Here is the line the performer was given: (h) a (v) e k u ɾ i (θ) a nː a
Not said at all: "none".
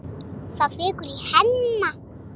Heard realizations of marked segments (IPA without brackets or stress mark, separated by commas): s, f, h